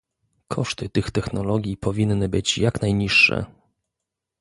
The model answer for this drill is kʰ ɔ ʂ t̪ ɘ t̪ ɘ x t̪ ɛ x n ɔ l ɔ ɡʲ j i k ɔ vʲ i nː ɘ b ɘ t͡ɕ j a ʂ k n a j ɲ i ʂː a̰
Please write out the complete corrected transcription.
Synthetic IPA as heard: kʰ ɔ ʂ t̪ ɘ t̪ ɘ x t̪ ɛ x n ɔ l ɔ ɡʲ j i p ɔ vʲ i nː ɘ b ɘ t͡ɕ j a k n a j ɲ i ʂː ɛ̰